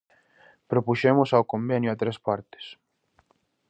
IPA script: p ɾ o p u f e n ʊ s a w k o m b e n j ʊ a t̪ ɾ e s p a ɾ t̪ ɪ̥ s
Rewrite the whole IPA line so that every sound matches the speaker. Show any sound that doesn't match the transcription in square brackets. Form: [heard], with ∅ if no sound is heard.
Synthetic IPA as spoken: p ɾ o p u [ʃ] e [m] ʊ s a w k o m b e n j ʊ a t̪ ɾ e s p a ɾ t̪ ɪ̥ s